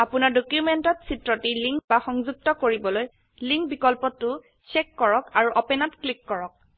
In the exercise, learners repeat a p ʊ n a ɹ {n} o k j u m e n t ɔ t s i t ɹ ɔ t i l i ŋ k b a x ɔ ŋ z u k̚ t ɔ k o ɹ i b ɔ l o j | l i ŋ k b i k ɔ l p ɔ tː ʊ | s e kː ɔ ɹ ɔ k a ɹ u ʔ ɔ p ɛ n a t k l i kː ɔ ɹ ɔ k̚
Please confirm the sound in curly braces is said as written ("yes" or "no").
no